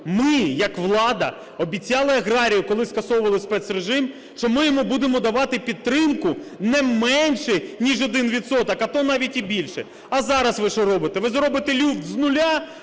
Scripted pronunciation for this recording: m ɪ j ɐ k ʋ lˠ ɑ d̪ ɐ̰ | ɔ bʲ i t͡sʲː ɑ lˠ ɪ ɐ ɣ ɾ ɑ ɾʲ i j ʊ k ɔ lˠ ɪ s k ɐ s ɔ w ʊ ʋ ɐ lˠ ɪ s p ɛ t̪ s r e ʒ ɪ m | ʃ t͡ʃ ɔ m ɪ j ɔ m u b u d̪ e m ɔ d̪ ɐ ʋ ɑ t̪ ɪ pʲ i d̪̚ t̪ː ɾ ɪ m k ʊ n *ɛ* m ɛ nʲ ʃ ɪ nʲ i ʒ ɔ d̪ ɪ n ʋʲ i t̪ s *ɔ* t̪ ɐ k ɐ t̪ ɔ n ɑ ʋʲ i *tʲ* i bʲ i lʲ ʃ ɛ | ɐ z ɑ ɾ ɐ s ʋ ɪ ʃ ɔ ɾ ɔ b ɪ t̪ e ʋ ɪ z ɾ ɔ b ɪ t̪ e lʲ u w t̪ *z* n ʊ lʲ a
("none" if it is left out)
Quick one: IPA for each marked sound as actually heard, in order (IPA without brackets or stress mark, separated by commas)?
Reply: ɛ, ɔ, tʲ, z